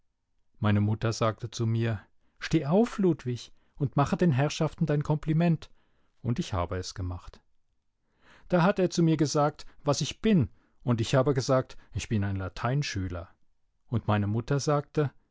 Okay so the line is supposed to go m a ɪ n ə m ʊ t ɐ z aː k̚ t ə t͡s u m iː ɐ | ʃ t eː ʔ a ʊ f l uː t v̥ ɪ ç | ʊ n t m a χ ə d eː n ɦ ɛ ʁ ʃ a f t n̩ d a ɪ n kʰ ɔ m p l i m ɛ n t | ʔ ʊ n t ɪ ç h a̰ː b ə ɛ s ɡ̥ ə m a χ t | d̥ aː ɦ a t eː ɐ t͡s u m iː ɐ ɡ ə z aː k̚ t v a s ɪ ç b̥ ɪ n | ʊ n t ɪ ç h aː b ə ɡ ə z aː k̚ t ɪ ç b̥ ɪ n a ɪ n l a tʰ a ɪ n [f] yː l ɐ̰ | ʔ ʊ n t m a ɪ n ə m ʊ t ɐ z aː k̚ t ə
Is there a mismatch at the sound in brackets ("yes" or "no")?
yes